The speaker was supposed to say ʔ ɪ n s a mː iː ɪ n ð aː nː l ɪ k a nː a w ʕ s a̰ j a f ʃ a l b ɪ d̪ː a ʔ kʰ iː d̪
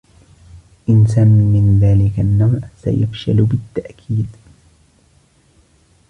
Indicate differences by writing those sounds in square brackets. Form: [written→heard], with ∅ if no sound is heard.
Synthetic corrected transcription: ʔ ɪ n s a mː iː ɪ n ð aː [nː→∅] l ɪ k a nː a w ʕ s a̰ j a f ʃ a l b ɪ [d̪ː→t̪ː] a ʔ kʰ iː d̪

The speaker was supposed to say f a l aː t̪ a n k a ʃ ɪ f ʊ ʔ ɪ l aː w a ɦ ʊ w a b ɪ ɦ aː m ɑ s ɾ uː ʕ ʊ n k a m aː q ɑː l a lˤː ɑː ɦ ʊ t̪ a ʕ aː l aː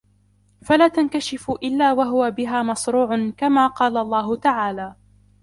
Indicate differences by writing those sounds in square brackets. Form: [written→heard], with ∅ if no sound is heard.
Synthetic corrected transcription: f a l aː t̪ a n k a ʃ ɪ f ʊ ʔ ɪ [l→lː] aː w a ɦ ʊ w a b ɪ ɦ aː m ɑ s ɾ uː ʕ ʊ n k a m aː q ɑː l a lˤː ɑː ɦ ʊ t̪ a ʕ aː l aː

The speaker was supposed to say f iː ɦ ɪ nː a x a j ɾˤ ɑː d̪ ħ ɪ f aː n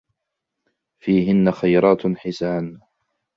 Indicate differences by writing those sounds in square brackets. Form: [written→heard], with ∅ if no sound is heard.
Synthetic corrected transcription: f iː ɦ ɪ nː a x a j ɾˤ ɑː [d̪→t̪] ħ ɪ [f→s] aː n

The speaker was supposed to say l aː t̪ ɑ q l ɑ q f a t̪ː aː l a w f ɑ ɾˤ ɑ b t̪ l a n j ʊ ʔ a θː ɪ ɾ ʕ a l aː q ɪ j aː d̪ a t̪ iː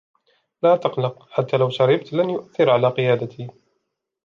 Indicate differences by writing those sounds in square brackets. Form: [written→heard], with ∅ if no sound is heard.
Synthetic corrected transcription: l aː t̪ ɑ q l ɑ q [f→ħ] a t̪ː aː l a w [f→ʃ] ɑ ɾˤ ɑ b t̪ l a n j ʊ ʔ a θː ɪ ɾ ʕ a l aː q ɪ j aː d̪ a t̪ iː

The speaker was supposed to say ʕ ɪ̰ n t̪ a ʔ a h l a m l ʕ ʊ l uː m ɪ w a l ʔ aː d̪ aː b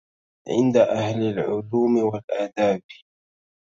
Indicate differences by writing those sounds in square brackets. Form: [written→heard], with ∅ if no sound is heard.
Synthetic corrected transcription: ʕ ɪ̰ n [t̪→d̪] a ʔ a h l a [m→∅] l ʕ ʊ l uː m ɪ w a l ʔ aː d̪ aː b

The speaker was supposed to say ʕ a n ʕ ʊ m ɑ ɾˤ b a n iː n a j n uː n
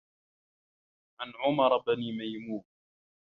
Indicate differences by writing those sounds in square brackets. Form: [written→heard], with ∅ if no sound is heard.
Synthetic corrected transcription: ʕ a n ʕ ʊ m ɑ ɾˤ b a n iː [n→m] a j [n→m] uː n

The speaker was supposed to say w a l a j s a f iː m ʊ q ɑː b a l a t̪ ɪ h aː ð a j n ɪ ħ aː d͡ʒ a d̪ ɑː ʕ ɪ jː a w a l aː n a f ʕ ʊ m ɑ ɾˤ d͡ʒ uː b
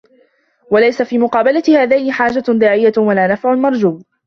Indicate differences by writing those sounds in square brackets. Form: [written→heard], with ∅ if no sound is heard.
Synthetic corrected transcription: w a l a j s a f iː m ʊ q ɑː b a l a t̪ ɪ h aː ð a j n ɪ ħ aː d͡ʒ a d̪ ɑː ʕ ɪ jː a w a l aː n a f ʕ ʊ m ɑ ɾˤ d͡ʒ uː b

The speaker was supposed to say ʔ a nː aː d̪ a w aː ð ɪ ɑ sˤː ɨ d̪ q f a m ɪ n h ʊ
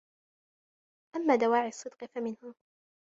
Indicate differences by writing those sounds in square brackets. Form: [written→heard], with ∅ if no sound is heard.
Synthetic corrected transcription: ʔ a [nː→mː] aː d̪ a w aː [ð→ʕ] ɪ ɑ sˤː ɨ d̪ q f a m ɪ n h ʊ

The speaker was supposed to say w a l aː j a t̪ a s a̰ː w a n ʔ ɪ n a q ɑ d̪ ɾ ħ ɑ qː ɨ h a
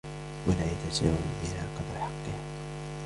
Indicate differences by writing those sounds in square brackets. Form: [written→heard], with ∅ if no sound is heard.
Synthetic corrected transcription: w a l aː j a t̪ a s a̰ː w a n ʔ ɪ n a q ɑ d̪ ɾ ħ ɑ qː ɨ h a

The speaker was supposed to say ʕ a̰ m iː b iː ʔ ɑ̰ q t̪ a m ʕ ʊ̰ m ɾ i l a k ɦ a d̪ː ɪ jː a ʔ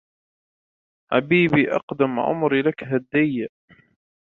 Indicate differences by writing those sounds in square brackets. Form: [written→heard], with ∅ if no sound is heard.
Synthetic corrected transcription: ʕ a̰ [m→b] iː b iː ʔ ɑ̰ q [t̪→d̪] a m ʕ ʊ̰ m ɾ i l a k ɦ a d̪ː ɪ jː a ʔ

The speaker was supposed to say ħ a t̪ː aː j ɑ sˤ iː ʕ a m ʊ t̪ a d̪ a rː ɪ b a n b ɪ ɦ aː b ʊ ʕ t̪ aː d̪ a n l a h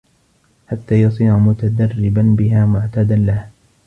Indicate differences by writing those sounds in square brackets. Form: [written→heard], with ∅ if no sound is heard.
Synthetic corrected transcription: ħ a t̪ː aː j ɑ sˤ iː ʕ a m ʊ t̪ a d̪ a rː ɪ b a n b ɪ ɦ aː [b→m] ʊ ʕ t̪ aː d̪ a n l a h

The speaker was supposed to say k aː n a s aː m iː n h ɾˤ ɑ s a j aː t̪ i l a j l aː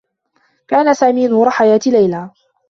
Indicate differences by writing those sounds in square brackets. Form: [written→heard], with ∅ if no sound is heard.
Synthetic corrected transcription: k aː n a s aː m iː n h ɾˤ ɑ [s→ħ] a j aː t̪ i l a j l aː

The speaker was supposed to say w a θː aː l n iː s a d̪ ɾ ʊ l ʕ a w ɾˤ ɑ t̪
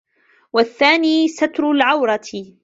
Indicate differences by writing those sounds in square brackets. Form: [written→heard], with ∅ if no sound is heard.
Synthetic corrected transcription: w a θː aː [l→∅] n iː s a [d̪→t̪] ɾ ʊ l ʕ a w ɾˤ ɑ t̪

